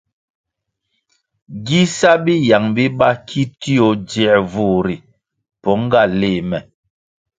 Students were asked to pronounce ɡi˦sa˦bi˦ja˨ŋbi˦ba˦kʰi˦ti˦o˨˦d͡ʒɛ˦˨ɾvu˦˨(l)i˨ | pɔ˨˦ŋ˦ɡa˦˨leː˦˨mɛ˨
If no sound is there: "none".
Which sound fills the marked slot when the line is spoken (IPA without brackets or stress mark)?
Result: ɾ